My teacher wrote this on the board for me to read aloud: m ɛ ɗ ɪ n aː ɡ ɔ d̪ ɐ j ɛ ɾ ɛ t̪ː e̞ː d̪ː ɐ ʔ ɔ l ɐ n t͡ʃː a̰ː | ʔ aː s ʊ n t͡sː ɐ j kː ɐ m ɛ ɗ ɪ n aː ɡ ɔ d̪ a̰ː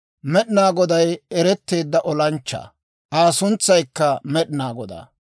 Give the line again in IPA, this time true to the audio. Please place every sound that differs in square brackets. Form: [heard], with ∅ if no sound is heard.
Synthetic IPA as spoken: m ɛ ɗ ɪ n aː ɡ ɔ d̪ ɐ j ɛ ɾ ɛ t̪ː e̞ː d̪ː ɐ ʔ ɔ l ɐ n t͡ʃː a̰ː | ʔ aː s ʊ n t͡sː ɐ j kː ɐ m ɛ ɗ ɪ n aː ɡ ɔ d̪ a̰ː